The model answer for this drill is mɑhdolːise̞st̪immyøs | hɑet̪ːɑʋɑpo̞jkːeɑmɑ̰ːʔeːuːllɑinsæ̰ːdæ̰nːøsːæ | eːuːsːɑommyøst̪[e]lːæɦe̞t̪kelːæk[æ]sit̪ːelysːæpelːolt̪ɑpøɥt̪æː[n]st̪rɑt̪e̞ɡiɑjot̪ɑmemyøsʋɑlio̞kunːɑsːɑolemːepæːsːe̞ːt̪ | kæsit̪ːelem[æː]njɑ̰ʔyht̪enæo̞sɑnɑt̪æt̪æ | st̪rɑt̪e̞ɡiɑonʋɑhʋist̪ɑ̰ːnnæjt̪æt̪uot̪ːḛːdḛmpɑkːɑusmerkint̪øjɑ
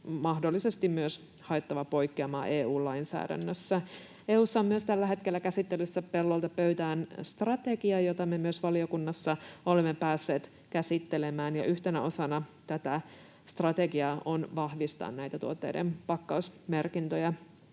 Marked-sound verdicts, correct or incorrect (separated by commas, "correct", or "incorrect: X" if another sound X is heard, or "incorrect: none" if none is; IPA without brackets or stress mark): incorrect: æ, correct, correct, correct